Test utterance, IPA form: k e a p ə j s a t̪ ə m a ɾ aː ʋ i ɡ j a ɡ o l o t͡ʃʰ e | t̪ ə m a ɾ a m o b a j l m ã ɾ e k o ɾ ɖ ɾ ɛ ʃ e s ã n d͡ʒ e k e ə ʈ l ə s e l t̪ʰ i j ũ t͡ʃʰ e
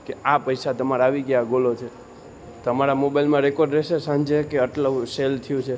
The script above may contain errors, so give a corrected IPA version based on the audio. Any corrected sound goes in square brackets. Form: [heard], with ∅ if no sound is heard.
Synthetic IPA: k e a p ə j s a t̪ ə m a ɾ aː ʋ i ɡ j a ɡ o l o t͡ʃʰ e | t̪ ə m a ɾ a m o b a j l m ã ɾ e k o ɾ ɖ ɾ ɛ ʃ e s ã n d͡ʒ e k e ə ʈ l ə s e l t̪ʰ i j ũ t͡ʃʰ e